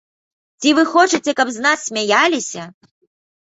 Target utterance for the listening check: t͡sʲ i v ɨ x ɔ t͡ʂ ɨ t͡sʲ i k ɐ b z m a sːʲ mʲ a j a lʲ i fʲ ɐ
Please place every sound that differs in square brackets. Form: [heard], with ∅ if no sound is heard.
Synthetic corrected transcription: t͡sʲ i v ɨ x ɔ t͡ʂ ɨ t͡sʲ [ɛ] k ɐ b z [n] a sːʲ mʲ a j a lʲ i [sʲ] ɐ